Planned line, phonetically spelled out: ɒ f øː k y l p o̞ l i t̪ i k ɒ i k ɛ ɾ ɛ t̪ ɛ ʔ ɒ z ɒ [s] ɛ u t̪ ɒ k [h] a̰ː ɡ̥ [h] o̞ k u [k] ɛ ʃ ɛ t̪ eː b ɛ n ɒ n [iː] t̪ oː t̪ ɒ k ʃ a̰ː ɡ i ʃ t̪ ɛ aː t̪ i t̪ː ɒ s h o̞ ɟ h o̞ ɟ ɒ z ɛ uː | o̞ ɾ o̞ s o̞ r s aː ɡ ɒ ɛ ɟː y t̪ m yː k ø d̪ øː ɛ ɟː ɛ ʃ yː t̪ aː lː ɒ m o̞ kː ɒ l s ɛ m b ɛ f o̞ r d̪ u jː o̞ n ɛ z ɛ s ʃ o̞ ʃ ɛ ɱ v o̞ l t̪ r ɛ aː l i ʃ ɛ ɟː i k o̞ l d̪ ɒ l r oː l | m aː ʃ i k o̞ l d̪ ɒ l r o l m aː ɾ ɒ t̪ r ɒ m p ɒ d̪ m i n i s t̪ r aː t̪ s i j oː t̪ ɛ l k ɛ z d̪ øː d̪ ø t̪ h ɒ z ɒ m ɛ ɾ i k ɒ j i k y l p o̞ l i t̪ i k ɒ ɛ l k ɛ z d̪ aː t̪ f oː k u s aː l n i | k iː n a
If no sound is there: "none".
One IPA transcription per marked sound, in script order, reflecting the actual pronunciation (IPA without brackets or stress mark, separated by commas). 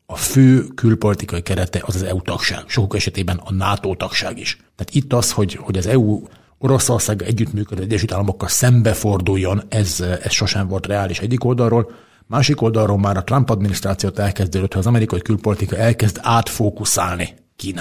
z, ʃ, ʃ, k, aː